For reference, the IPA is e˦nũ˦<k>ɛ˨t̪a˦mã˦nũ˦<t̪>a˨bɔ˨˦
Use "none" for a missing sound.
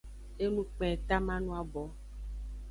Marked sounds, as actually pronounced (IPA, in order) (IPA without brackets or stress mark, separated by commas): k͡p, none